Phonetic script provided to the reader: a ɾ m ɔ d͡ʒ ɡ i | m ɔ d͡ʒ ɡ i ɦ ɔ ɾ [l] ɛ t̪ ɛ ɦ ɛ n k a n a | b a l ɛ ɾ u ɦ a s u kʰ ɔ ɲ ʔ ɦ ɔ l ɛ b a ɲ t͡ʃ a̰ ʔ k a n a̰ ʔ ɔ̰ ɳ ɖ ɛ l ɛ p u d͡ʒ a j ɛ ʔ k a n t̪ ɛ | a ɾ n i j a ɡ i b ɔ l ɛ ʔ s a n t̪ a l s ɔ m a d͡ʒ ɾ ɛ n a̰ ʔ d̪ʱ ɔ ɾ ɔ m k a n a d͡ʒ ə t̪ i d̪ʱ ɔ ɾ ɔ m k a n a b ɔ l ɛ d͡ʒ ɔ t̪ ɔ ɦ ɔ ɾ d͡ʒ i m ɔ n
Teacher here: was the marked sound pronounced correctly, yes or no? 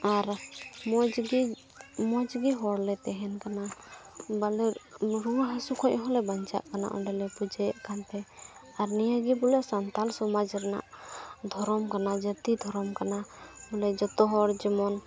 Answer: yes